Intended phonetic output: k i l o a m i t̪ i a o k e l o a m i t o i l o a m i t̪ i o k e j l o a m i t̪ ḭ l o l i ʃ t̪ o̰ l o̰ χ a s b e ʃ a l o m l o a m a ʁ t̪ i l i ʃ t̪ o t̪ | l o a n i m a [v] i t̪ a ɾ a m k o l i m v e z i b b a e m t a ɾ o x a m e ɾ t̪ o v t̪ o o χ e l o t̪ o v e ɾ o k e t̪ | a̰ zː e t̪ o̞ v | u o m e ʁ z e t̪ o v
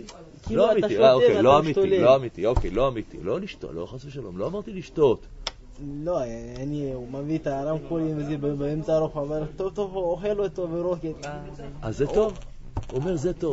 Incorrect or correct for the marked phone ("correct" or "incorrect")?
correct